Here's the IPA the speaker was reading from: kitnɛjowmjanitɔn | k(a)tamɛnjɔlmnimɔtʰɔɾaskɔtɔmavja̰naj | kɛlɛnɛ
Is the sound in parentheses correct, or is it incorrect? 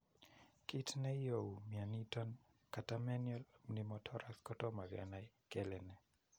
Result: correct